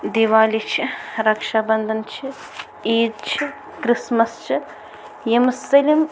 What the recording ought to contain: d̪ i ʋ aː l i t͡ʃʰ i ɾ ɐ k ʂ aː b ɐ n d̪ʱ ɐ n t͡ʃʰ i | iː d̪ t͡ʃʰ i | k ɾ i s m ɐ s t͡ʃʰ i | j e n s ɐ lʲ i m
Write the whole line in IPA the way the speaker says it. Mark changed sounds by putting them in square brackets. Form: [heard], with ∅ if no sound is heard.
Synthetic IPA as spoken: d̪ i ʋ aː l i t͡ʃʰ i ɾ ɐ k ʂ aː b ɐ n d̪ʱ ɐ n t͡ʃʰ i | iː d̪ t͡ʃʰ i | k ɾ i s m ɐ s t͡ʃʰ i | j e [m] s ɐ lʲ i m